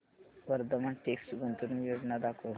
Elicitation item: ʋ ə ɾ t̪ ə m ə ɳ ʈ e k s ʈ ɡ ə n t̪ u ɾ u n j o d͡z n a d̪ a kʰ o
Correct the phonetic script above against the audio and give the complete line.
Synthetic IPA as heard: ʋ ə ɾ d̪ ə m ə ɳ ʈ e k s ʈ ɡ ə n t̪ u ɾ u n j o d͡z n a d̪ a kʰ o